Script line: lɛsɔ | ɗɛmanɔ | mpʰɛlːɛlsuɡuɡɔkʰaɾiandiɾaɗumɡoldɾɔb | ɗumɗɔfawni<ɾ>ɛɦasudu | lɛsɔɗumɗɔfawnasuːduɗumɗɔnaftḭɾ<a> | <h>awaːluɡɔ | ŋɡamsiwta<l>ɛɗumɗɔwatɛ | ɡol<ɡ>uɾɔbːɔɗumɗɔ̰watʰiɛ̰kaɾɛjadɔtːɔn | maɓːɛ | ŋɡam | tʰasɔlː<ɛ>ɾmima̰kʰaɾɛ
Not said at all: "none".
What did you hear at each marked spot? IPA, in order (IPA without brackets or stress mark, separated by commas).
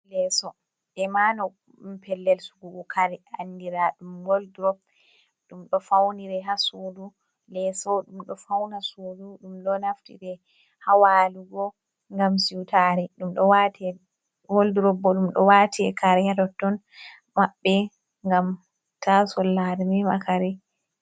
ɾ, ɛ, h, ɾ, d, a